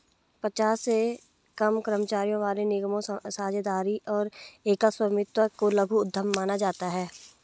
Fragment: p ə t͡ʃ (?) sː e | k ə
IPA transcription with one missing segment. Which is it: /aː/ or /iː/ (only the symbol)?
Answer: aː